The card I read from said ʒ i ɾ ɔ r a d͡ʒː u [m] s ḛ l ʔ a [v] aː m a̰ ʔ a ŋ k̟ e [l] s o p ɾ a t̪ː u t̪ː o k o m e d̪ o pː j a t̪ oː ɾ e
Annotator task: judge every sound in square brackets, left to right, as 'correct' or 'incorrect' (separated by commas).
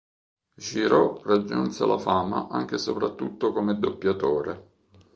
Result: incorrect, incorrect, incorrect